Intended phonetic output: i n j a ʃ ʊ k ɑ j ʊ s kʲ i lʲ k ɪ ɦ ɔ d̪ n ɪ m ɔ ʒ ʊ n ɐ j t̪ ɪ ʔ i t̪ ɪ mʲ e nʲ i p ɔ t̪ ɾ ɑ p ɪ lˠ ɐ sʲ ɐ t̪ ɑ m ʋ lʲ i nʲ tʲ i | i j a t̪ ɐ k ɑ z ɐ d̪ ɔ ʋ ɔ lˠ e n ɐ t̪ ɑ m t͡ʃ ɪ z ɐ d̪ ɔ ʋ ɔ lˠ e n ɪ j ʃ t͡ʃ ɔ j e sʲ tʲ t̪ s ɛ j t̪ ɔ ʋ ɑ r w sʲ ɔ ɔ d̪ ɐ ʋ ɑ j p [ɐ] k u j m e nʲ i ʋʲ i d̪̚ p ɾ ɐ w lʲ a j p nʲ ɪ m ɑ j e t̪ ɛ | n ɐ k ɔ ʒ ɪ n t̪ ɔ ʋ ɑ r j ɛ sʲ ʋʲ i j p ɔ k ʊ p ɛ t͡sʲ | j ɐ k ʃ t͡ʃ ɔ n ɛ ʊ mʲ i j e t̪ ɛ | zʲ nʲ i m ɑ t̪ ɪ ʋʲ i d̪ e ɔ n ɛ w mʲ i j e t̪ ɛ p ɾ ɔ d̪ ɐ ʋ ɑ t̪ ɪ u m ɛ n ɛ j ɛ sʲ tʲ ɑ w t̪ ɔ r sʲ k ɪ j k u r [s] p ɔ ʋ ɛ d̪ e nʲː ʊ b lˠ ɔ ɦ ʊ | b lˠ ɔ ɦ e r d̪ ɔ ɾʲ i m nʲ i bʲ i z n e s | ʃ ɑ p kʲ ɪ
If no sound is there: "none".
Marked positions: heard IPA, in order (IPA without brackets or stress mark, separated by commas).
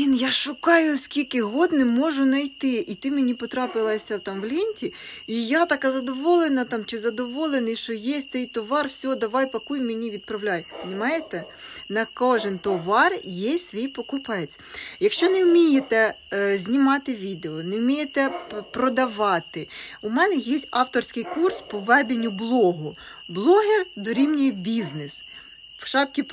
ɐ, s